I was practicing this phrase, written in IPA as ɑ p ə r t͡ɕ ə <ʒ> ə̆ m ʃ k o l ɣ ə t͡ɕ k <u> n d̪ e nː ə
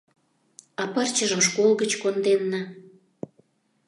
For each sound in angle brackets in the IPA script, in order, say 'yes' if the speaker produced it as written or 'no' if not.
yes, no

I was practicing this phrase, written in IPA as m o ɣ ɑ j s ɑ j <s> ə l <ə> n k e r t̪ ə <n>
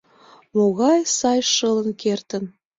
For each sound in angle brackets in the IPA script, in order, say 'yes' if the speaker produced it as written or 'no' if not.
no, yes, yes

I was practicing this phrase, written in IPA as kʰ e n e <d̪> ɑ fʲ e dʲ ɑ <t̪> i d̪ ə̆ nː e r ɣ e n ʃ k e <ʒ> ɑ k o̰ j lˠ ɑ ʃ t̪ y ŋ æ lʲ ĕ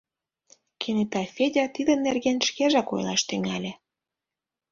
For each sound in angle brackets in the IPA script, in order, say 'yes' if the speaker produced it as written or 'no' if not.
no, yes, yes

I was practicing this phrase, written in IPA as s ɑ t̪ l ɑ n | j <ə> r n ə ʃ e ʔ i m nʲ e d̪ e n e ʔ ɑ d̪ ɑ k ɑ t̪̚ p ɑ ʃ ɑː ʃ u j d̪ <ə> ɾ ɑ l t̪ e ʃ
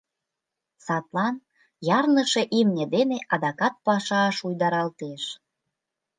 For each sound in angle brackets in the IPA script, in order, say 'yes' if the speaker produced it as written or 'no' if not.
no, no

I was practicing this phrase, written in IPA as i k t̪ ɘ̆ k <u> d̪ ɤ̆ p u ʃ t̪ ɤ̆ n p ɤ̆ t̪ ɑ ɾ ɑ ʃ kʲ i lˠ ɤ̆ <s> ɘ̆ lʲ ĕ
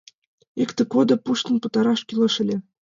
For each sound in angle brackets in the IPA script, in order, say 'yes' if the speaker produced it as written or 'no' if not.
no, no

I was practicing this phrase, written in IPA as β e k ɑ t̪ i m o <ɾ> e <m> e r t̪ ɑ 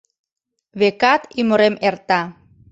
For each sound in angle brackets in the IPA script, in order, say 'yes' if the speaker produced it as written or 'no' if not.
yes, yes

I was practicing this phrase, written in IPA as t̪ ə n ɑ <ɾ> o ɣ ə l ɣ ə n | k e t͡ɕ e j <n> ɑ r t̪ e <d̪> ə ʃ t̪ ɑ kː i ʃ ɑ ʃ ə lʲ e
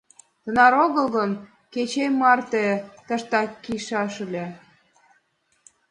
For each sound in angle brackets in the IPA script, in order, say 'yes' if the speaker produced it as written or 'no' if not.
yes, no, no

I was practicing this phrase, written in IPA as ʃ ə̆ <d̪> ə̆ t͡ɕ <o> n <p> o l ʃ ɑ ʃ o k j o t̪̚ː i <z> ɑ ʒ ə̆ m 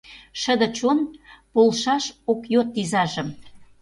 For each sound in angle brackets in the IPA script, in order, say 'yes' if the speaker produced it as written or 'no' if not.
yes, yes, yes, yes

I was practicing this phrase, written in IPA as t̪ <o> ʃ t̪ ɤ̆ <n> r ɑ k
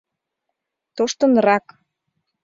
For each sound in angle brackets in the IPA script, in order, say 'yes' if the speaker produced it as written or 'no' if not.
yes, yes

